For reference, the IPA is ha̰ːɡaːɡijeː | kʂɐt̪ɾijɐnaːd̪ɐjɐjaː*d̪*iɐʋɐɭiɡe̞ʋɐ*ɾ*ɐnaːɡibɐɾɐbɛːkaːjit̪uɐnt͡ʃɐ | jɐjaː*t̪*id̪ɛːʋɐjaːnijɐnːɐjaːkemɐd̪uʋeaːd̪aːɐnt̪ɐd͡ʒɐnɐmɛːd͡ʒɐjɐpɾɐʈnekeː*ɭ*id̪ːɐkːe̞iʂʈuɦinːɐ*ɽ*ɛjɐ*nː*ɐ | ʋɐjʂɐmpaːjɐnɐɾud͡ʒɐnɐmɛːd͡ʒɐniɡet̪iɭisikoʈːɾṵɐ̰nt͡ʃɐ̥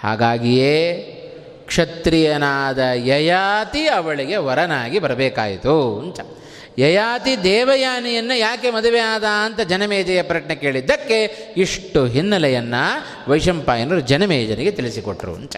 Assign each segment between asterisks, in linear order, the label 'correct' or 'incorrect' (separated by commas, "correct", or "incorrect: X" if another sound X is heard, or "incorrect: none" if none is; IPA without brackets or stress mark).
incorrect: t̪, correct, correct, correct, incorrect: l, correct